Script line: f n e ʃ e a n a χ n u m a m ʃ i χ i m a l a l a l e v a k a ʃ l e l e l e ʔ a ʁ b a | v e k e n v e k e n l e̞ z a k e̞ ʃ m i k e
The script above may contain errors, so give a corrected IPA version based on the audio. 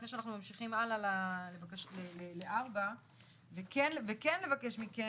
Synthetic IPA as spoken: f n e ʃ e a n a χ n u m a m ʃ i χ i m a l a l a l e v a k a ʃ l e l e l e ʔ a ʁ b a | v e k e n v e k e n l e̞ v a k e̞ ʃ m i k e